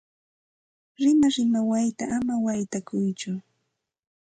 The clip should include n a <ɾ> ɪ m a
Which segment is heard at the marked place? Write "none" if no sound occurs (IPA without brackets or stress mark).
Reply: ɾ